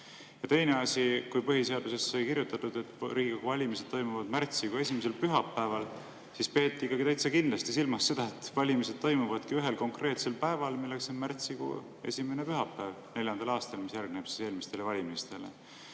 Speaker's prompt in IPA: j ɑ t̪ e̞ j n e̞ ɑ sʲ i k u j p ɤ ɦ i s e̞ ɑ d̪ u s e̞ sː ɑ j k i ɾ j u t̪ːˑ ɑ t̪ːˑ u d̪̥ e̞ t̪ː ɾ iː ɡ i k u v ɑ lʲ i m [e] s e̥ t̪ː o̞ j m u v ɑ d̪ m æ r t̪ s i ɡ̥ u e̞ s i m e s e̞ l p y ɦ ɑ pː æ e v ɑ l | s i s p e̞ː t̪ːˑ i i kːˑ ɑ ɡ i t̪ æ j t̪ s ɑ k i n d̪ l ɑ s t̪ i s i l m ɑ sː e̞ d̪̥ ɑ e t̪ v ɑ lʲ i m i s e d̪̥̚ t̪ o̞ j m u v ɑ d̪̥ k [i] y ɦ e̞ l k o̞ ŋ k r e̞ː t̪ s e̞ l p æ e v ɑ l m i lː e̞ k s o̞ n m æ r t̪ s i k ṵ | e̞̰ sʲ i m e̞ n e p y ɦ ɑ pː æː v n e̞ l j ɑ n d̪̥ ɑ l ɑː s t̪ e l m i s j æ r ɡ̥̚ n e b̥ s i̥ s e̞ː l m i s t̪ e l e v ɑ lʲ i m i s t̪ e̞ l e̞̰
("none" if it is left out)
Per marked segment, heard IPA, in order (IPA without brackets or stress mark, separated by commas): i, i